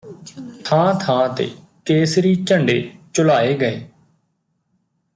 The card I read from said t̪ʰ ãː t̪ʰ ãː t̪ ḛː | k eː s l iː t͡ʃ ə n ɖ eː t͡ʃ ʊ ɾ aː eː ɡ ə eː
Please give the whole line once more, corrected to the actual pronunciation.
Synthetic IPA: t̪ʰ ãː t̪ʰ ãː t̪ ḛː | k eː s ɾ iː t͡ʃ ə ɳ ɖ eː t͡ʃ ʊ l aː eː ɡ ə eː